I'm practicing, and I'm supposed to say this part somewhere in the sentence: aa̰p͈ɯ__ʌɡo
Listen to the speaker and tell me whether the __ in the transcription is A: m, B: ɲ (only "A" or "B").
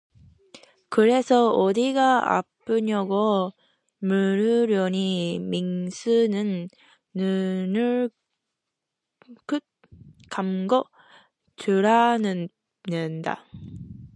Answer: B